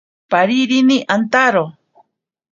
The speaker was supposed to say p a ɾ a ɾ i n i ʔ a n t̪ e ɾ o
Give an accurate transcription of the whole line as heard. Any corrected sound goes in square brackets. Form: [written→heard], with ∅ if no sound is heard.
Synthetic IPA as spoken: p a ɾ [a→i] ɾ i n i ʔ a n t̪ [e→a] ɾ o